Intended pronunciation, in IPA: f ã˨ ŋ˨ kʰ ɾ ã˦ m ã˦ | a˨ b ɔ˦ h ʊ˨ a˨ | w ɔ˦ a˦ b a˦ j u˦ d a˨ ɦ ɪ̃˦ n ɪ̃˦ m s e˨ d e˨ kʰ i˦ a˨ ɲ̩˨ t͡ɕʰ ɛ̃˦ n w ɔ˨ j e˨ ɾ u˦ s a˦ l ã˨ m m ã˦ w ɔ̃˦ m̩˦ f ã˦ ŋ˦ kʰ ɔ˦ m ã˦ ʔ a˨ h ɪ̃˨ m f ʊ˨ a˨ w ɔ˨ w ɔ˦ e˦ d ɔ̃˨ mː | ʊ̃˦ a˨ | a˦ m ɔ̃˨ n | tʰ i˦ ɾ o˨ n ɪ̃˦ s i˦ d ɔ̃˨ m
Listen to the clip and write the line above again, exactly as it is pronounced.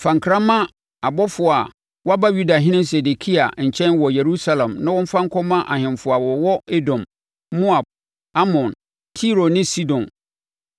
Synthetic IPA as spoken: f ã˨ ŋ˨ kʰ ɾ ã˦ m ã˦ | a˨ b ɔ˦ f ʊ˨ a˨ | w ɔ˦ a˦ b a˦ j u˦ d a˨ ɦ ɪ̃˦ n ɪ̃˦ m s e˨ d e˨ kʰ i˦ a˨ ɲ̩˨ t͡ɕʰ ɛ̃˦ n w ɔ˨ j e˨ ɾ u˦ s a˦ l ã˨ m n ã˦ w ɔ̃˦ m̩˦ f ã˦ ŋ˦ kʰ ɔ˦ m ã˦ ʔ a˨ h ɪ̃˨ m f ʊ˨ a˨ w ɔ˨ w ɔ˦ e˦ d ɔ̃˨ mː | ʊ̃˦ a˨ | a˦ m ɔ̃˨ n | tʰ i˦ ɾ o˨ n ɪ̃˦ s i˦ d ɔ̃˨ n